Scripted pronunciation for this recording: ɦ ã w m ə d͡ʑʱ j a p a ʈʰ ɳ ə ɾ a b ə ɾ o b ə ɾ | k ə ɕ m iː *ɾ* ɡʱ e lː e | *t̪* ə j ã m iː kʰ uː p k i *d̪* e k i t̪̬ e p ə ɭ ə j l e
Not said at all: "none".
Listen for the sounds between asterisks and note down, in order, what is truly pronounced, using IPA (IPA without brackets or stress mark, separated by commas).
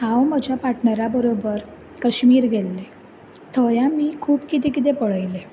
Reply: ɾ, t̪ʰ, t̪